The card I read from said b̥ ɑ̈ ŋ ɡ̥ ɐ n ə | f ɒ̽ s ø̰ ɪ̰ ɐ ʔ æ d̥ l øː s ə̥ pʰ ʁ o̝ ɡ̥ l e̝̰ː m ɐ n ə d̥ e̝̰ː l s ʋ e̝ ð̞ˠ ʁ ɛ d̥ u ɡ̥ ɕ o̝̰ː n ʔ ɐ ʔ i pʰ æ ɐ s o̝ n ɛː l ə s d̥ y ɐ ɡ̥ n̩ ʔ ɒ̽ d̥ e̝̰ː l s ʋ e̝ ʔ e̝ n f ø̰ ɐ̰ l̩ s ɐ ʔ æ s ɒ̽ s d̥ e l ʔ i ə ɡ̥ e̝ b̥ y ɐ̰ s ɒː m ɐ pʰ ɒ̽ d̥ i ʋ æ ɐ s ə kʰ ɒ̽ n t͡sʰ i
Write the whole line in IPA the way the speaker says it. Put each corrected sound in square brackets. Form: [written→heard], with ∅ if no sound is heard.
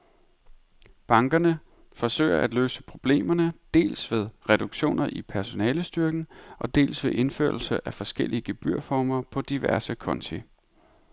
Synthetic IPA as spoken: b̥ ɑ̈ ŋ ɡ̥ ɐ n ə | f ɒ̽ s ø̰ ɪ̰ ɐ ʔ æ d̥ l øː s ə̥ pʰ ʁ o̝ [ɡ̥→b̥] l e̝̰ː m ɐ n ə d̥ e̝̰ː l s ʋ e̝ ð̞ˠ ʁ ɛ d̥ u ɡ̥ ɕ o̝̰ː n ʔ ɐ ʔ i pʰ æ ɐ s o̝ n ɛː l ə s d̥ y ɐ ɡ̥ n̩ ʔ ɒ̽ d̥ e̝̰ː l s ʋ e̝ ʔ e̝ n f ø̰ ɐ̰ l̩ s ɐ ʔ æ [s→f] ɒ̽ s [d̥→ɡ̥] e l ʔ i ə ɡ̥ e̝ b̥ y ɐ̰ [s→f] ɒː m ɐ pʰ ɒ̽ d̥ i ʋ æ ɐ s ə kʰ ɒ̽ n t͡sʰ i